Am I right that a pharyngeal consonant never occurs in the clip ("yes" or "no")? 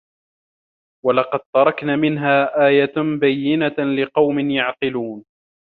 no